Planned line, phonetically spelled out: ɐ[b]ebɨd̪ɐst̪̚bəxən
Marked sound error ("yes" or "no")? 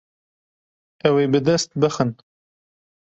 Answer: yes